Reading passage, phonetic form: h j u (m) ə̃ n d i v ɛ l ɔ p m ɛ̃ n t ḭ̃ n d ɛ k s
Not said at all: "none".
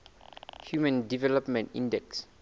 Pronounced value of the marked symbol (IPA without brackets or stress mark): m